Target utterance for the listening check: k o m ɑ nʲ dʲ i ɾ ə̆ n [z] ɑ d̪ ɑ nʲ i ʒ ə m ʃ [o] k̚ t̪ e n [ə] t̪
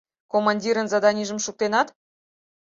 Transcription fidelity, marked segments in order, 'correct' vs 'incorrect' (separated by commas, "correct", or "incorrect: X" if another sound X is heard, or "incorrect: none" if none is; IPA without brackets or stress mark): correct, incorrect: u, incorrect: ɑ